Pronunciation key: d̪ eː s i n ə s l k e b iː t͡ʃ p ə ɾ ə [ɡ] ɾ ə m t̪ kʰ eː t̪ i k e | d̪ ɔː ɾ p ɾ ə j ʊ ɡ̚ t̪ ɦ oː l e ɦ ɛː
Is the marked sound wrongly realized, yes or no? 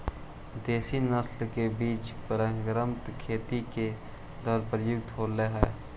no